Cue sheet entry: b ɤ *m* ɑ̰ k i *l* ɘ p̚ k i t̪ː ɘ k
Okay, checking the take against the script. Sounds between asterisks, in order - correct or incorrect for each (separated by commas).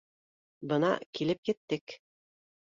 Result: incorrect, correct